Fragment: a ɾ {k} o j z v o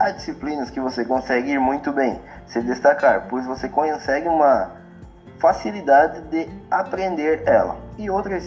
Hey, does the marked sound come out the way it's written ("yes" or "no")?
no